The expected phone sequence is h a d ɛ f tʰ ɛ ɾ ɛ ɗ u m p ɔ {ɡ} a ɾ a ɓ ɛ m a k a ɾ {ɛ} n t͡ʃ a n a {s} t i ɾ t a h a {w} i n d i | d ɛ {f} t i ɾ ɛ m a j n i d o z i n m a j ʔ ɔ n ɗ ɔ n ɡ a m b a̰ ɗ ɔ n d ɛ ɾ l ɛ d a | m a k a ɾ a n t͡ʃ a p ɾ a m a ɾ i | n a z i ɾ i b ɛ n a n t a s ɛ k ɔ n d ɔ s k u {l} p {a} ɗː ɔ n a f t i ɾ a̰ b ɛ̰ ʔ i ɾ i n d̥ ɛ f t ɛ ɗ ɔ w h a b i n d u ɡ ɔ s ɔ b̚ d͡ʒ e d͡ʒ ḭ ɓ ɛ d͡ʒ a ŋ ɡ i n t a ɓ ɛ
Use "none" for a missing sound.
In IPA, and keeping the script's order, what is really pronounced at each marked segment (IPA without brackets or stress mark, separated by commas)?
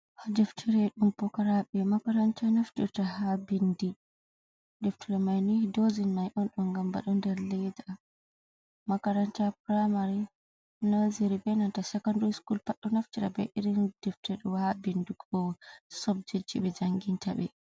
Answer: k, a, f, b, f, l, a